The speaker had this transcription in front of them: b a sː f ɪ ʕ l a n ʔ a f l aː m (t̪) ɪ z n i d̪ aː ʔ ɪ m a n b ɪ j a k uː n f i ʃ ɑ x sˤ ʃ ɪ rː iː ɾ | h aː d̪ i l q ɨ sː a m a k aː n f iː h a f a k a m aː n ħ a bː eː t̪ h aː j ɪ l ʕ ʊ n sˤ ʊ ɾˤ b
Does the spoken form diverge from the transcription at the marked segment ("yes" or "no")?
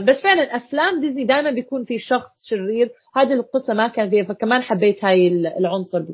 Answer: yes